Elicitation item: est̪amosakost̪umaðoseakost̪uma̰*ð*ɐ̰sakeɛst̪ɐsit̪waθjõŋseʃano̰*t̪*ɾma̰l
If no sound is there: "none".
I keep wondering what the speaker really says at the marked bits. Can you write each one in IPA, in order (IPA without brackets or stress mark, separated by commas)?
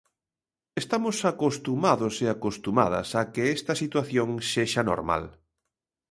ð, none